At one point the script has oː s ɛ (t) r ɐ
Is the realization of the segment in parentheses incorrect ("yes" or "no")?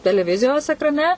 yes